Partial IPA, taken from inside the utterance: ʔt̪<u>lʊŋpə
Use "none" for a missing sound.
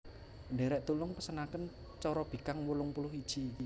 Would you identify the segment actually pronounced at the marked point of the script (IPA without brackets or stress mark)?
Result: u